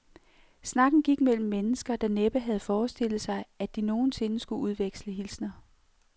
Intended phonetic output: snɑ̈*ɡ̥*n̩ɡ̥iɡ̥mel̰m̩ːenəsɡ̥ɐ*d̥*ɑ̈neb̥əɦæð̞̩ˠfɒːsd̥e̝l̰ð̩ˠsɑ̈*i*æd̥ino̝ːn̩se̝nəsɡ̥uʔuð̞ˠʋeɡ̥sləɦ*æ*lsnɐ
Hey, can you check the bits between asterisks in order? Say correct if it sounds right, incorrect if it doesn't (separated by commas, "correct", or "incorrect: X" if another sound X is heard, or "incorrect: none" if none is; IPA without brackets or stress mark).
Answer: correct, correct, incorrect: ɪ, incorrect: i